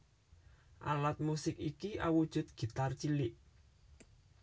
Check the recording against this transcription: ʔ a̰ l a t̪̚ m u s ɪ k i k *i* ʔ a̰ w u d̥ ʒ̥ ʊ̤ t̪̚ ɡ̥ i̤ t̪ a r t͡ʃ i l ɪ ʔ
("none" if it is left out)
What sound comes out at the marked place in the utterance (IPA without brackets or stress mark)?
i